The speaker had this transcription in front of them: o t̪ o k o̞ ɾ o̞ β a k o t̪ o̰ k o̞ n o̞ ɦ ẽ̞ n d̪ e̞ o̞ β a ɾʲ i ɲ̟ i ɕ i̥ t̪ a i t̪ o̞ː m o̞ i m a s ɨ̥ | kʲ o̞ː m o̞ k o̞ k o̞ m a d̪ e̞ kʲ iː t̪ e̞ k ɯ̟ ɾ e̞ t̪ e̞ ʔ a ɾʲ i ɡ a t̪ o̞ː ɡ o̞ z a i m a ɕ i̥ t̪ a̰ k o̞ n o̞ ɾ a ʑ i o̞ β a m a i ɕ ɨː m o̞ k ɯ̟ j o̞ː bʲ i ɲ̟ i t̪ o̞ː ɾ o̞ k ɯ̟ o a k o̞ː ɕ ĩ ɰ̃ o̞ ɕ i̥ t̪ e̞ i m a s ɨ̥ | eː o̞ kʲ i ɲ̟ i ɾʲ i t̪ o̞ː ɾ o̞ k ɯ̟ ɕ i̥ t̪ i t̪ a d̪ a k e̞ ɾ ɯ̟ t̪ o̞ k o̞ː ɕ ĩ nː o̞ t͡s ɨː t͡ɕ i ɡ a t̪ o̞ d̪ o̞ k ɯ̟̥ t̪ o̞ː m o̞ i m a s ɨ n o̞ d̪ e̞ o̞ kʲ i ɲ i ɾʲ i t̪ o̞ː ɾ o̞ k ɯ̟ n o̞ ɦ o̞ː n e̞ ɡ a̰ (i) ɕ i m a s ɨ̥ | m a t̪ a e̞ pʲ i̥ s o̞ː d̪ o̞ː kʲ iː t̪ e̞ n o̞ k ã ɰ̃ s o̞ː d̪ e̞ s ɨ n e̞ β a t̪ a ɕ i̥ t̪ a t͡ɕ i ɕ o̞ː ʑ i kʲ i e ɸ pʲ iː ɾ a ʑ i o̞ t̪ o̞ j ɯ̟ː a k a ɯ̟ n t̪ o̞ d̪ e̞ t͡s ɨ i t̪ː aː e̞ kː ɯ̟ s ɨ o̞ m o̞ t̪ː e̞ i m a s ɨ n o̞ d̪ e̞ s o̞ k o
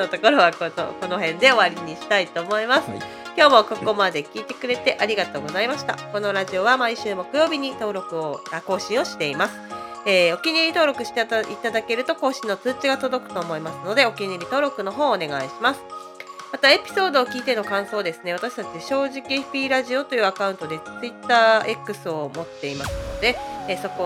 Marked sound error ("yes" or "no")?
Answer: no